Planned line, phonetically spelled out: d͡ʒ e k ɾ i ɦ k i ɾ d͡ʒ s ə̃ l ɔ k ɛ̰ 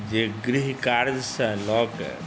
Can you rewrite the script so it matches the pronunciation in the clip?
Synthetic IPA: d͡ʒ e ɡ ɾ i ɦ k a ɾ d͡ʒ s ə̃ l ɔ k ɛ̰